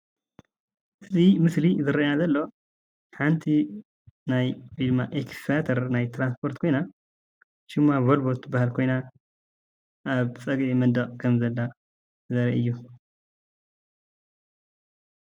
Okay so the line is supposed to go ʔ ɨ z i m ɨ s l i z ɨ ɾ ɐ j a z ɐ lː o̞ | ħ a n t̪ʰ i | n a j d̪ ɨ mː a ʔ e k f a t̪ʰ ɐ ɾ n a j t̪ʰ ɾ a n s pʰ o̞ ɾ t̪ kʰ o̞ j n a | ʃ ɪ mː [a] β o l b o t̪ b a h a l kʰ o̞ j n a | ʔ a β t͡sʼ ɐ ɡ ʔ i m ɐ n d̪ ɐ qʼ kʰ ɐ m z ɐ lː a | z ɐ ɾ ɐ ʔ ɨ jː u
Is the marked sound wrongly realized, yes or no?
no